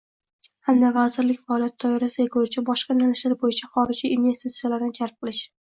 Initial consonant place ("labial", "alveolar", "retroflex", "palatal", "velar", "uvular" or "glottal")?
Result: glottal